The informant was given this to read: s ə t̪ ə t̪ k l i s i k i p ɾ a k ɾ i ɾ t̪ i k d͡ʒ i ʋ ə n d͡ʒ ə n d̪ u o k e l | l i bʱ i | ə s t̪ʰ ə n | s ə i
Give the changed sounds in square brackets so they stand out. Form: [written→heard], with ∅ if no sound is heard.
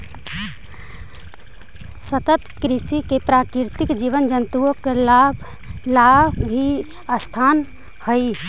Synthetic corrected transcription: s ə t̪ ə t̪ k [l→ɾ] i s i k [i→e] p ɾ a k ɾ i ɾ t̪ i k d͡ʒ i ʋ ə n d͡ʒ ə n [d̪→t̪] u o k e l | l [i→a] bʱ i | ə s t̪ʰ [ə→a] n | [s→h] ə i